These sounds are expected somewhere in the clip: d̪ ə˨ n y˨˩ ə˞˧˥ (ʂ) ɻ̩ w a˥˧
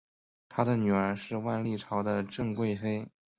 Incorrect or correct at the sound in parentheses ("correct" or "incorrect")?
correct